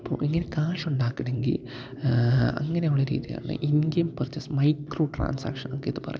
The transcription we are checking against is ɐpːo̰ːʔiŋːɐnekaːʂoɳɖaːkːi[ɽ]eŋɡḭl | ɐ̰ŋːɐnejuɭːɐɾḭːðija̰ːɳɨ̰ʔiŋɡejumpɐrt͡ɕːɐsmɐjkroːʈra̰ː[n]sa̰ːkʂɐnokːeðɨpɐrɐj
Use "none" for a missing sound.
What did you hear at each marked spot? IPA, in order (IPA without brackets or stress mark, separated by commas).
ɽ, n